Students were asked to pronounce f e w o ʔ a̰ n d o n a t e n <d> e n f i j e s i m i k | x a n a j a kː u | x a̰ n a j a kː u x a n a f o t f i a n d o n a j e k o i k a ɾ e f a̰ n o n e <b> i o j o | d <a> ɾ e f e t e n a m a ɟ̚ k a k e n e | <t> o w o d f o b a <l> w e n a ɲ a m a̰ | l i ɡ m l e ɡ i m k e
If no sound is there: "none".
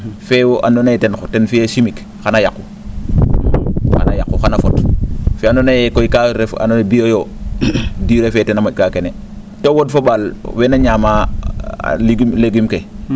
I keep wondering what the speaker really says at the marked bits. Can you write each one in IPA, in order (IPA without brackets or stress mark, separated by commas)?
t, b, i, t, l